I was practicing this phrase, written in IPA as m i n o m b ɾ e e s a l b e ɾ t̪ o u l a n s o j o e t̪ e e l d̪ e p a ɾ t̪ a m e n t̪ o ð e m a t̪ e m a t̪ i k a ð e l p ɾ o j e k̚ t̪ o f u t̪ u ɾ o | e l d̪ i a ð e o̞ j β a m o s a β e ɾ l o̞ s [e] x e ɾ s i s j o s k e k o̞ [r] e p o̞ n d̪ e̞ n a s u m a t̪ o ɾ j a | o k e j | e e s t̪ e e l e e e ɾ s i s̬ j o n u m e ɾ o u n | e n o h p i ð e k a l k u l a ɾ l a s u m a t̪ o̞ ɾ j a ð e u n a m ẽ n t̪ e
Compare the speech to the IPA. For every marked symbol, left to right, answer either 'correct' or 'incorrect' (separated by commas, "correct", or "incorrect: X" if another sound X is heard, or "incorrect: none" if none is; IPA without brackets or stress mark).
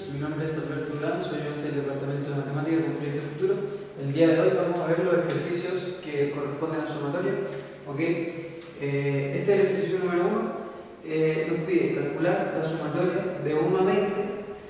correct, correct